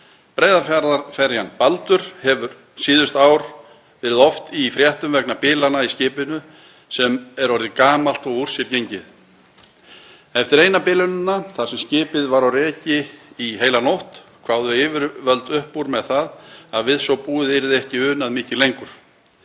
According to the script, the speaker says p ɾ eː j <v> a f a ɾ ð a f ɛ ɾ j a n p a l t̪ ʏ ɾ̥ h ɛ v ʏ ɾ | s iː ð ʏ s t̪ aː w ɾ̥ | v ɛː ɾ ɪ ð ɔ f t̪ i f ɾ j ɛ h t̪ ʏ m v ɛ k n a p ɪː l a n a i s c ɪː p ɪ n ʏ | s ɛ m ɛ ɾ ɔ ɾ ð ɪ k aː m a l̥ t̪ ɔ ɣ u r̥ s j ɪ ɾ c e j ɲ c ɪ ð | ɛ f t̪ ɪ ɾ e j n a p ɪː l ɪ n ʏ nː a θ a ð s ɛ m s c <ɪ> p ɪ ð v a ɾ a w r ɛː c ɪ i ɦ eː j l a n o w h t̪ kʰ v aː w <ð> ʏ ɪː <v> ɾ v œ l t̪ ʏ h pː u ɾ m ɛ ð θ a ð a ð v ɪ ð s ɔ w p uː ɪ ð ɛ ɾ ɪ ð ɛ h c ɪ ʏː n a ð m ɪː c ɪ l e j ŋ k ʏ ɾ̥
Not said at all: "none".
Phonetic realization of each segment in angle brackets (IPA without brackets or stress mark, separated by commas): ð, ɪː, ð, v